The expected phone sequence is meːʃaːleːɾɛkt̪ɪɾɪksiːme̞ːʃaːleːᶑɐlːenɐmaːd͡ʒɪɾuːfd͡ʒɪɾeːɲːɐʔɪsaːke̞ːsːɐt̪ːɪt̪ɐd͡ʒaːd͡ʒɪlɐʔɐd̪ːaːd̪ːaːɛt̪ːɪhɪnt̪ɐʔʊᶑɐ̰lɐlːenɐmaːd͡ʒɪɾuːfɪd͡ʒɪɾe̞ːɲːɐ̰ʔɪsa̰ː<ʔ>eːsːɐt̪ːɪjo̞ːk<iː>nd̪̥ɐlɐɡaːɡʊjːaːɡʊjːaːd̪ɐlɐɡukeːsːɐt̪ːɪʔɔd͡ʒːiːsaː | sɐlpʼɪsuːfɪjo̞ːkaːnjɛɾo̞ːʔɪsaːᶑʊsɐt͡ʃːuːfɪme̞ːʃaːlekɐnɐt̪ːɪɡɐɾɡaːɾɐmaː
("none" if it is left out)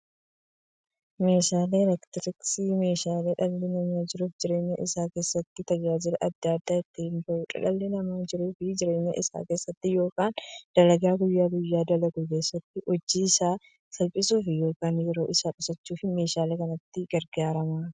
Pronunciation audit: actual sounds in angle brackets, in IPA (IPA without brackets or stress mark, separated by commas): k, aː